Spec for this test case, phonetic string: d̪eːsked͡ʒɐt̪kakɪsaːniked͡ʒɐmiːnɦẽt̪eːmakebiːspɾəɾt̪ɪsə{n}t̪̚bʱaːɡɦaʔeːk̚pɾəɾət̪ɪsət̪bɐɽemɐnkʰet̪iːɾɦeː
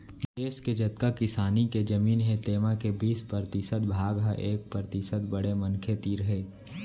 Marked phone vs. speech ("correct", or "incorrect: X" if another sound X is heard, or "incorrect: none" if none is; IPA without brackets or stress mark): incorrect: none